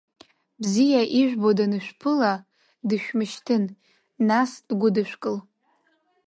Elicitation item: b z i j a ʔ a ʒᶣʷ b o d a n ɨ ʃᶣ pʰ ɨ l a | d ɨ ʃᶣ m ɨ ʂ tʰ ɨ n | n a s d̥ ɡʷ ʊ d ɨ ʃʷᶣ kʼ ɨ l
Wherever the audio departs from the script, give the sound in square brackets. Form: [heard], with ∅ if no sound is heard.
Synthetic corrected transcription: b z i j a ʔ [i] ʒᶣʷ b o d a n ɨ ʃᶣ pʰ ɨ l a | d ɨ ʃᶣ m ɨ [ʃ] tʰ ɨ n | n a s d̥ ɡʷ ʊ d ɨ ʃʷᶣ kʼ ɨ l